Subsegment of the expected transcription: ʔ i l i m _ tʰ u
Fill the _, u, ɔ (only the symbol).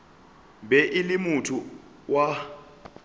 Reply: u